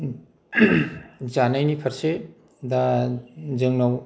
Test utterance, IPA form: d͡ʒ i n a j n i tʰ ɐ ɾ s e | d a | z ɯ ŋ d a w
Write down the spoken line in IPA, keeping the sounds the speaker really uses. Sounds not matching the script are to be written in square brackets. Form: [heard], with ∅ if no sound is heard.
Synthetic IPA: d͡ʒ [a] n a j n i [pʰ] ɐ ɾ s e | d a | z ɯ ŋ [n] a w